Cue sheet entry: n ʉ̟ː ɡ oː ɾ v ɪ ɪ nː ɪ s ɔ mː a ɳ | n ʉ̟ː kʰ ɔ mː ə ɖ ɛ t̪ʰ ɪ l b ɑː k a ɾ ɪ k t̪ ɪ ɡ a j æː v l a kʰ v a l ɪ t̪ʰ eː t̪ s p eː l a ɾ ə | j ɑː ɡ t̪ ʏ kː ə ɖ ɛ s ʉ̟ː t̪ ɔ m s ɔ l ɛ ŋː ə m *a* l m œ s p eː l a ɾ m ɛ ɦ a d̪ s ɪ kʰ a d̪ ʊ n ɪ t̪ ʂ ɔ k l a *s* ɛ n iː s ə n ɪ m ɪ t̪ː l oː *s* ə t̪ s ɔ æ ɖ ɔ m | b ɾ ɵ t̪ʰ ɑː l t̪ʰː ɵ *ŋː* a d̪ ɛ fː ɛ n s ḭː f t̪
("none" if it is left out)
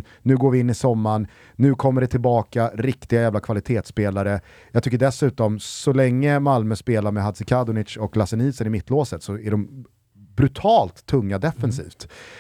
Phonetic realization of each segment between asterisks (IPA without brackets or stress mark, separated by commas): a, s, s, ŋː